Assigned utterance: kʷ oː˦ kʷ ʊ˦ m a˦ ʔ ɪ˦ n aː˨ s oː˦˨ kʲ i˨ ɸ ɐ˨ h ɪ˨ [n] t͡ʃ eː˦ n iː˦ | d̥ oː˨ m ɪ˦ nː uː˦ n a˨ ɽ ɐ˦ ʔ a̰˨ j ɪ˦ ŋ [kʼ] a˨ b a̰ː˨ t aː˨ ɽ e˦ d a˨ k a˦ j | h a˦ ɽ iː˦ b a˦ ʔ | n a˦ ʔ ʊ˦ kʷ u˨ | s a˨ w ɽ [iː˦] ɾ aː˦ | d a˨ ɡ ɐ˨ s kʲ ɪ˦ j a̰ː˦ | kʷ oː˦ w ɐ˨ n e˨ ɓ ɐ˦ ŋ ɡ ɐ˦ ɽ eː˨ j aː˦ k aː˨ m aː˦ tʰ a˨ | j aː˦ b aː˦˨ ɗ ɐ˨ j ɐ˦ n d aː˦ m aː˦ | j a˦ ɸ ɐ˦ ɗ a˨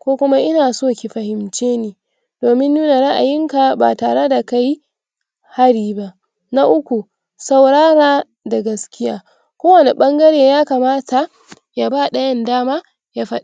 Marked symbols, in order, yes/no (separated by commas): no, no, no